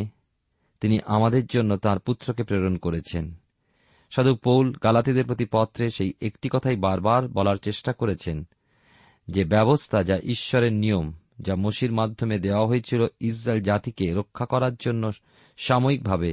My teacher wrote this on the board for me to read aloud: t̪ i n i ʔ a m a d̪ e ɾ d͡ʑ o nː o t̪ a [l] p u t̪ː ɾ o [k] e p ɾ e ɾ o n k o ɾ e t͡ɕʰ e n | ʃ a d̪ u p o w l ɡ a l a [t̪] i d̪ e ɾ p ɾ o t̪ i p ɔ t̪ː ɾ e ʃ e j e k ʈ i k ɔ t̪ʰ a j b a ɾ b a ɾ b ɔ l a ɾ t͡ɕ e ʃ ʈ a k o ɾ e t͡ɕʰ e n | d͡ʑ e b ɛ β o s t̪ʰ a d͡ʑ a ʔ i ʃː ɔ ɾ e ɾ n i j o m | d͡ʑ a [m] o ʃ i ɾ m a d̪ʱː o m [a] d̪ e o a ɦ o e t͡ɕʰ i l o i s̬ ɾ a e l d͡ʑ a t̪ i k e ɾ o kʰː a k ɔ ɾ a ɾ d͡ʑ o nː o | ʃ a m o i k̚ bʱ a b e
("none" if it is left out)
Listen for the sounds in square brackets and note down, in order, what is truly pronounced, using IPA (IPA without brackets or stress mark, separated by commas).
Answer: ɾ, k, t̪, m, e